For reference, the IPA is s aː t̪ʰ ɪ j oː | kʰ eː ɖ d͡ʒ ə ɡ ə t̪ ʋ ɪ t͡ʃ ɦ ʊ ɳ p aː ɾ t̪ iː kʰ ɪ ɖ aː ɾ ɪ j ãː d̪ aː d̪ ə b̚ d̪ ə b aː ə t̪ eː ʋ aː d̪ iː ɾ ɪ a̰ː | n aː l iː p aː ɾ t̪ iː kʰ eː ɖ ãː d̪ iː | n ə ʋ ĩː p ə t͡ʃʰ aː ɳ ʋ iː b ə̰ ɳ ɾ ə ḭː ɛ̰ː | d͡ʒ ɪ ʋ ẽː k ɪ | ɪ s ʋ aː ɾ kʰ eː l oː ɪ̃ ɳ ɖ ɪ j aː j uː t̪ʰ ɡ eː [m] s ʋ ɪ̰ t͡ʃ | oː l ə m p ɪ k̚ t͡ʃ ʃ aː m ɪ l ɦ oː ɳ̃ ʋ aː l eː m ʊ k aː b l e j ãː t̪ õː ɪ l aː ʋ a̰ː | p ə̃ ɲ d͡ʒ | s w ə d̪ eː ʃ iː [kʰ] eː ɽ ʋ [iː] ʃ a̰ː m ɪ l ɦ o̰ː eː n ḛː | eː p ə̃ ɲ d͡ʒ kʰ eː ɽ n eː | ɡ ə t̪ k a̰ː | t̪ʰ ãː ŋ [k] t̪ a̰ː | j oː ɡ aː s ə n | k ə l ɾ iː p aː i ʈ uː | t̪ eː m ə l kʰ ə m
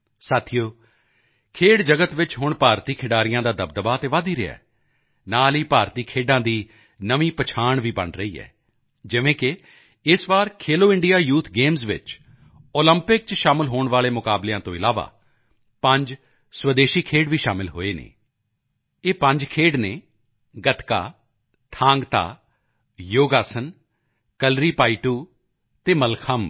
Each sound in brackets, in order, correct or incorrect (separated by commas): correct, correct, correct, incorrect